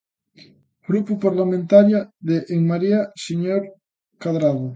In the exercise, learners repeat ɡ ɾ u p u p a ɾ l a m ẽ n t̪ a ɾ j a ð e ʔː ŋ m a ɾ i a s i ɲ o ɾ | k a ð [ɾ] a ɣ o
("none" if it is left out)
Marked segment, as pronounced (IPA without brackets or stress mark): ɾ